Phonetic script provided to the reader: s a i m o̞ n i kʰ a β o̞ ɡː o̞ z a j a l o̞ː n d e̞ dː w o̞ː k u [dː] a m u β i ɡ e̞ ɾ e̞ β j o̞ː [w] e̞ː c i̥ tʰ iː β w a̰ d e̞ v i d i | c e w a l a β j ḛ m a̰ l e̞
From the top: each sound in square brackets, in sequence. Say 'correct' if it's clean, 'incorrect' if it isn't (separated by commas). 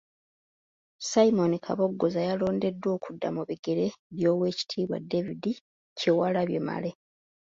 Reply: correct, correct